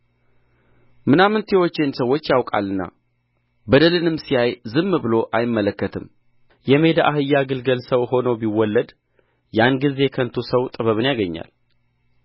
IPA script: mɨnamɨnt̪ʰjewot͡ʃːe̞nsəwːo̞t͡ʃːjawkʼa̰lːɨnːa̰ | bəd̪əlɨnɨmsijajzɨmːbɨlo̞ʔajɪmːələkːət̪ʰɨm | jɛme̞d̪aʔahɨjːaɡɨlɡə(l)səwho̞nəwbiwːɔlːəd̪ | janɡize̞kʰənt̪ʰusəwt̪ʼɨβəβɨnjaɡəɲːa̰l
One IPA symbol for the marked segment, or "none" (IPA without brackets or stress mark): l